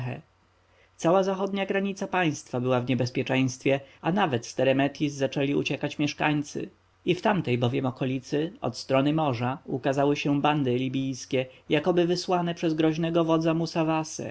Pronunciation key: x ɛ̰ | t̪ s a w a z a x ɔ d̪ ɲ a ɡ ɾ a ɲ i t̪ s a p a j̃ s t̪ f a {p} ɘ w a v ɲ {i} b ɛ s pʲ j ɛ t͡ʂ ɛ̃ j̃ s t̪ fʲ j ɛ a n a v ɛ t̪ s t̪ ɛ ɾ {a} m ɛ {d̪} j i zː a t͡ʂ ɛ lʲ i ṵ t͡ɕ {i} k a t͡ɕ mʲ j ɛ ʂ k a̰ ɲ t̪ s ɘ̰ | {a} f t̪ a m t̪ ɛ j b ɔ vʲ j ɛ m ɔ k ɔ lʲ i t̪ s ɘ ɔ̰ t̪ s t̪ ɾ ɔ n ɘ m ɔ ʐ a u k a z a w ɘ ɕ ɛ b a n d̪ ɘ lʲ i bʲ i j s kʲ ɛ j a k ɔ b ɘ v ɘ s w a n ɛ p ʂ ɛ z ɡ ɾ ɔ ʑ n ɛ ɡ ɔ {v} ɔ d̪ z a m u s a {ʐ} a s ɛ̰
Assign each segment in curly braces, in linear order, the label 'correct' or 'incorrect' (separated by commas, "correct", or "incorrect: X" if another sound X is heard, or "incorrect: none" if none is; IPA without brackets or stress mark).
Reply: incorrect: b, incorrect: ɛ, incorrect: ɛ, incorrect: t̪, incorrect: ɛ, incorrect: i, correct, incorrect: v